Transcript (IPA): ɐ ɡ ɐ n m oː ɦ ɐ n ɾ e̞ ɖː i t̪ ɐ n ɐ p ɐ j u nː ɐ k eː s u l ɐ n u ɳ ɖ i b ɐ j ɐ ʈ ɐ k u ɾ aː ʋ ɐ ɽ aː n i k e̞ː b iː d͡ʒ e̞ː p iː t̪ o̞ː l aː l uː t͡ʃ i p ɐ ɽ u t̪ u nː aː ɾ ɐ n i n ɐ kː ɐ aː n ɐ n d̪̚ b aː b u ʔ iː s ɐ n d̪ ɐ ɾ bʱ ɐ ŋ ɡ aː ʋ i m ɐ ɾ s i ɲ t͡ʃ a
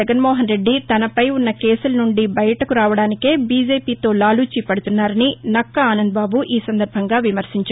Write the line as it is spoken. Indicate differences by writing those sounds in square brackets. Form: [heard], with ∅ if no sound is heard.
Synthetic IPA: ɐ ɡ ɐ n m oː ɦ ɐ n ɾ e̞ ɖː i t̪ ɐ n ɐ p ɐ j u nː ɐ k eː s u l ɐ n u ɳ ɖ i b ɐ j ɐ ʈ ɐ k u ɾ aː ʋ ɐ ɽ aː n i k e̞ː b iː d͡ʒ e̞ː p iː t̪ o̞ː l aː l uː t͡ʃ i p ɐ ɽ u t̪ u nː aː ɾ ɐ n i n ɐ kː ɐ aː n ɐ n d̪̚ b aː b u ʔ iː s ɐ n d̪ ɐ ɾ bʱ ɐ ŋ ɡ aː ʋ i m ɐ ɾ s i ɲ t͡ʃ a